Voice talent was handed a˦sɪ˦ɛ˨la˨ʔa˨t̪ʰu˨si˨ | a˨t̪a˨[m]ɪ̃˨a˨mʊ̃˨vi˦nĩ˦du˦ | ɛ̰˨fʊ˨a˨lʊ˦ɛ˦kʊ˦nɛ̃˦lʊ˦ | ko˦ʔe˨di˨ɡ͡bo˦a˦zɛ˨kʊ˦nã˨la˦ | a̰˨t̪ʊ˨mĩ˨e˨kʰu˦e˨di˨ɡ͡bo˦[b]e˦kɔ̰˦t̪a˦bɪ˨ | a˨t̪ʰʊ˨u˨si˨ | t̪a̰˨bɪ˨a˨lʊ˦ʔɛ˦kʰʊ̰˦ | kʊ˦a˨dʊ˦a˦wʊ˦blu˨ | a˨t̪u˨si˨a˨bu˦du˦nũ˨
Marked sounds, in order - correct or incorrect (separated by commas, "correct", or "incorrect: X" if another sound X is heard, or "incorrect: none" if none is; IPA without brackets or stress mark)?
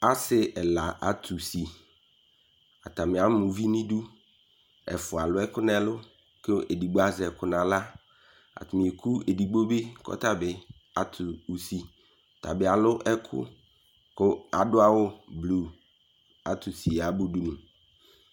correct, correct